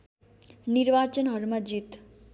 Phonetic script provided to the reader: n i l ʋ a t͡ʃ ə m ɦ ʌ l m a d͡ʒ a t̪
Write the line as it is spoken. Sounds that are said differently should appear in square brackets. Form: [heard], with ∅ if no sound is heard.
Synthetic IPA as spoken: n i [ɾ] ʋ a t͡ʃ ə [n] ɦ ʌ [ɾ] m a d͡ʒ [i] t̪